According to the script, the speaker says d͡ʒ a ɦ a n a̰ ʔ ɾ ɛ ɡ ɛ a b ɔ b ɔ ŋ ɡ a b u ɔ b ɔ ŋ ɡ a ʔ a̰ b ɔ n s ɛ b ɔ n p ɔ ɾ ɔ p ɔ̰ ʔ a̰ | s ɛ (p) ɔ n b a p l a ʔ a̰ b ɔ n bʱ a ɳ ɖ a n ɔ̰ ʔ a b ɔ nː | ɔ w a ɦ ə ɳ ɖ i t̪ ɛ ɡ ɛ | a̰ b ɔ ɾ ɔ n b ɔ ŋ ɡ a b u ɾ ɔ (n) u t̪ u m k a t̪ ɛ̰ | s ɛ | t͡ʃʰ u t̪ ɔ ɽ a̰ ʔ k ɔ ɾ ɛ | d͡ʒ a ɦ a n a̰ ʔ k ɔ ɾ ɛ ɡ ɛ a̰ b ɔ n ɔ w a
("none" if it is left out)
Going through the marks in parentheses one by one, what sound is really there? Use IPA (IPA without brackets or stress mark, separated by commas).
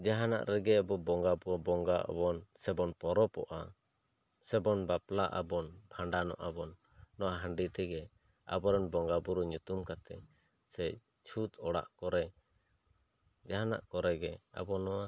b, ɲ